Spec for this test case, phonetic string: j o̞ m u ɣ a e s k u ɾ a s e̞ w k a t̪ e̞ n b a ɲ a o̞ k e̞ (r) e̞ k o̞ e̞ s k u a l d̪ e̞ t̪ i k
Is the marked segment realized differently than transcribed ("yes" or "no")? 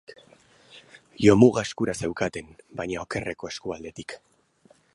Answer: no